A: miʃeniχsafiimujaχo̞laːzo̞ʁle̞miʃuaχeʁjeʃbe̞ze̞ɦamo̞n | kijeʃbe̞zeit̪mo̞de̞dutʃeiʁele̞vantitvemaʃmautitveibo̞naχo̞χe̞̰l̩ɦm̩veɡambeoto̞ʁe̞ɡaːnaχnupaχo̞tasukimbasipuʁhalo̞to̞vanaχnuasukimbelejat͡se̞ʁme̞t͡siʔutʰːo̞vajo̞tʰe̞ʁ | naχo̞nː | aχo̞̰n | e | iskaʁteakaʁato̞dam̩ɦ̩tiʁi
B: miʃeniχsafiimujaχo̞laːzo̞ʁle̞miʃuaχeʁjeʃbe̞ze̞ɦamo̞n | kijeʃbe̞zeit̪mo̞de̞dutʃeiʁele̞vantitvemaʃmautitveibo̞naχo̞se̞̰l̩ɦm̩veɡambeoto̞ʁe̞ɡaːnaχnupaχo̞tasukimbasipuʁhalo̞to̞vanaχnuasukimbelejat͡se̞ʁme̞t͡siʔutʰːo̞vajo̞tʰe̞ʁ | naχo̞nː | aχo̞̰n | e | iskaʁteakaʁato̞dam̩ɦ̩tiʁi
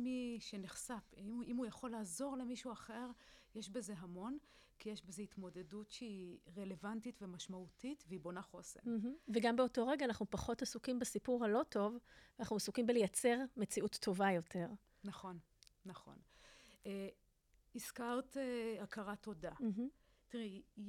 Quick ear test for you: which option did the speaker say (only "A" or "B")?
B